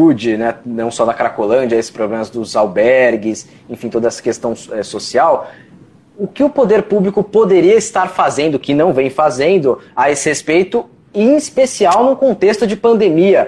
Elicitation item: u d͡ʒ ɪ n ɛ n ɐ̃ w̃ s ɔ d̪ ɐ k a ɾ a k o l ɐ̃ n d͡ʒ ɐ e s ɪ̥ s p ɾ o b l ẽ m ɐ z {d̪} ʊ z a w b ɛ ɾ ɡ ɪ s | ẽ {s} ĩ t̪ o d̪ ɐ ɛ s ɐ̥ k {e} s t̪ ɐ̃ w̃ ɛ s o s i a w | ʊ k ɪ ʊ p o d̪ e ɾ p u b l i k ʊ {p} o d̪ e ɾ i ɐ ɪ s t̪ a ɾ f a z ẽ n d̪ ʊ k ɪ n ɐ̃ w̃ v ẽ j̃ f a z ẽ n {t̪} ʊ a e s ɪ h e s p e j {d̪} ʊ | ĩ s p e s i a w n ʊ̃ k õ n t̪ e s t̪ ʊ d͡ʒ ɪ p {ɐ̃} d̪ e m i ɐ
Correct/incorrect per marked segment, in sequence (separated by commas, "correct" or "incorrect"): correct, incorrect, correct, correct, incorrect, incorrect, correct